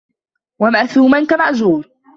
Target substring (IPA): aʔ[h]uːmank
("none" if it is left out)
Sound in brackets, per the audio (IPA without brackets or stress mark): θ